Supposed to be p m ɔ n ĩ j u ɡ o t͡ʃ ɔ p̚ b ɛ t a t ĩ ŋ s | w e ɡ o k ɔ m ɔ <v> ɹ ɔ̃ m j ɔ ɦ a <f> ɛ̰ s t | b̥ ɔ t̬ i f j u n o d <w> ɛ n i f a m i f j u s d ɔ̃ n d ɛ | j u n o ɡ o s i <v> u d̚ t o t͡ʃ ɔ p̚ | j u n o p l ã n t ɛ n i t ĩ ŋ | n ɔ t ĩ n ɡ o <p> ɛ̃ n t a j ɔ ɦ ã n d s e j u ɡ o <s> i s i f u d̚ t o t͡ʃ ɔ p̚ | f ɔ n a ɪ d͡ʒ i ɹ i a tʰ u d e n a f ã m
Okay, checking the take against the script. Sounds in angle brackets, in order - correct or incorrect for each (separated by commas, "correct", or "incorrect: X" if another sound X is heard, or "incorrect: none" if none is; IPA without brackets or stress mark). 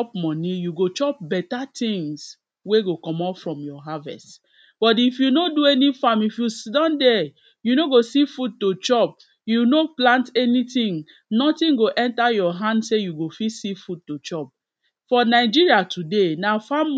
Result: incorrect: f, incorrect: v, incorrect: u, incorrect: f, incorrect: ʔ, incorrect: f